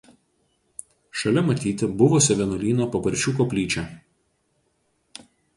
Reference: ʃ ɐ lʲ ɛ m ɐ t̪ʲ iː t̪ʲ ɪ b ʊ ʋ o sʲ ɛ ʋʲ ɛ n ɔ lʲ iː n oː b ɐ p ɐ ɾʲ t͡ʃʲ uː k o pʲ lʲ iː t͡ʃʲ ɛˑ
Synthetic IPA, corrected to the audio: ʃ ɐ lʲ ɛ m ɐ t̪ʲ iː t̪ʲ ɪ b ʊ ʋ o sʲ ɛ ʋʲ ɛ n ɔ lʲ iː n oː p ɐ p ɐ ɾʲ t͡ʃʲ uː k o pʲ lʲ iː t͡ʃʲ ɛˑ

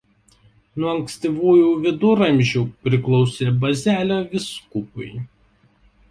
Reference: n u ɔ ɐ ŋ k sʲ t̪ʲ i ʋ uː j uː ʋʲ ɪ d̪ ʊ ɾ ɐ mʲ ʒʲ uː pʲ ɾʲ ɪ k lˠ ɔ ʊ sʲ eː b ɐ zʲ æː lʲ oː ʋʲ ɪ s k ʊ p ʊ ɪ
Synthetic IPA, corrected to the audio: n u ɔ ɐ ŋ k sʲ t̪ʲ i ʋ uː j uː ʋʲ ɪ d̪ ʊ ɾ ɐ mʲ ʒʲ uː pʲ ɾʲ ɪ k lˠ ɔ ʊ sʲ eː b ɐ zʲ æː lʲ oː ʋʲ ɪ s k ʊ p ʊ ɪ

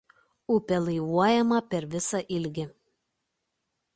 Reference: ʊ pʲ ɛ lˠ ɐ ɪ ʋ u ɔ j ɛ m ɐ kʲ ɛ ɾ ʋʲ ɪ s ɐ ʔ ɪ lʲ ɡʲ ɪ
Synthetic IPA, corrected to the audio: ʊ pʲ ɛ lˠ ɐ ɪ ʋ u ɔ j ɛ m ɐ pʲ ɛ ɾ ʋʲ ɪ s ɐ ʔ ɪ lʲ ɡʲ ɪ

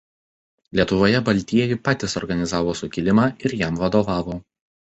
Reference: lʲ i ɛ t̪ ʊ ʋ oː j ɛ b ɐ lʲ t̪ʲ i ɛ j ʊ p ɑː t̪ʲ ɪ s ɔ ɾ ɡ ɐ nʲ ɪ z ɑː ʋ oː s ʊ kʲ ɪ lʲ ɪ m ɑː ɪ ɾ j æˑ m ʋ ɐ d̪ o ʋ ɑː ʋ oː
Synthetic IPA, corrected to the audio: lʲ i ɛ t̪ ʊ ʋ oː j ɛ b ɐ lʲ t̪ʲ i ɛ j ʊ p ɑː t̪ʲ ɪ s ɔ ɾ ɡ ɐ nʲ ɪ z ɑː ʋ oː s ʊ kʲ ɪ lʲ ɪ m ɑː ɪ ɾ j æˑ m ʋ ɐ d̪ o ʋ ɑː ʋ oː

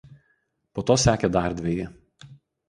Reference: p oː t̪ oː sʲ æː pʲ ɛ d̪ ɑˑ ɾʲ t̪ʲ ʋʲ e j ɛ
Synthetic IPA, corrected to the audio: p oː t̪ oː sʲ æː kʲ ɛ d̪ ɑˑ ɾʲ d̪ʲ ʋʲ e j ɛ

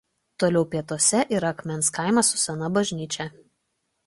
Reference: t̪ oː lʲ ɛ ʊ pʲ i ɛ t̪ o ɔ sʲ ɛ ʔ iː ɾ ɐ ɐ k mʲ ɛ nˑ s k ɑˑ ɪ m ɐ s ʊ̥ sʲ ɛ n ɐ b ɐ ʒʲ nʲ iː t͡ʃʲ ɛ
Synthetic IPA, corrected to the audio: t̪ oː lʲ ɛ ʊ pʲ i ɛ t̪ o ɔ sʲ ɛ ʔ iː ɾ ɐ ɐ k mʲ ɛ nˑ s k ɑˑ ɪ m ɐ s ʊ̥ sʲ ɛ n ɐ b ɐ ʒʲ nʲ iː t͡ʃʲ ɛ

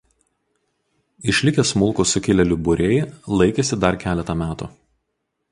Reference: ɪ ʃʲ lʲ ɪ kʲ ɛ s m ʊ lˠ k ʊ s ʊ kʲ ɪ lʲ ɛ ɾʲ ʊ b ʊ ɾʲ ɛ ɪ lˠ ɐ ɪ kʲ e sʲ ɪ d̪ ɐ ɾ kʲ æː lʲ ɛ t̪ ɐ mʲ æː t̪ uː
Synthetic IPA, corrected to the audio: ɪ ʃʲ lʲ ɪ kʲ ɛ s m ʊ lˠ k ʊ s ʊ kʲ ɪ lʲ ɛ lʲ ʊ b ʊ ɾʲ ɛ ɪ lˠ ɐ ɪ kʲ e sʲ ɪ d̪ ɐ ɾ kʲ æː lʲ ɛ t̪ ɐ mʲ æː t̪ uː

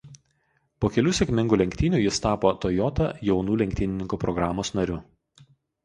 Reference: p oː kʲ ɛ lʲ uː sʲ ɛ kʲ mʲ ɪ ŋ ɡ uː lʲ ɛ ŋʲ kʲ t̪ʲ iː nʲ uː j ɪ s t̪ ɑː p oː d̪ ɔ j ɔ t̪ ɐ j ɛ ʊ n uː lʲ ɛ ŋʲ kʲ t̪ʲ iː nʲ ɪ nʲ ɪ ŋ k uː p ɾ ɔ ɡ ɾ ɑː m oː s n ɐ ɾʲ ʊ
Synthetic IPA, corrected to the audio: p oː kʲ ɛ lʲ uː sʲ ɛ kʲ mʲ ɪ ŋ ɡ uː lʲ ɛ ŋʲ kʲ t̪ʲ iː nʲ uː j ɪ s t̪ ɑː p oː t̪ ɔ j ɔ t̪ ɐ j ɛ ʊ n uː lʲ ɛ ŋʲ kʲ t̪ʲ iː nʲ ɪ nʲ ɪ ŋ k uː p ɾ ɔ ɡ ɾ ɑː m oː s n ɐ ɾʲ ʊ

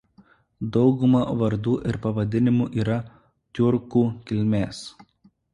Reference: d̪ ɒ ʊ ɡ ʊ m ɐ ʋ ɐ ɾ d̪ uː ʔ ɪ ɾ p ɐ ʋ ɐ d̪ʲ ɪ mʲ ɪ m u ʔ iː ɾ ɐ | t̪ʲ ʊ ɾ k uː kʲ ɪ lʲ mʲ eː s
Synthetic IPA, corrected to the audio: d̪ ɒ ʊ ɡ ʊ m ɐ ʋ ɐ ɾ d̪ uː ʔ ɪ ɾ p ɐ ʋ ɐ d̪ʲ ɪ nʲ ɪ m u ʔ iː ɾ ɐ | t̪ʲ ʊ ɾ k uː kʲ ɪ lʲ mʲ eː s

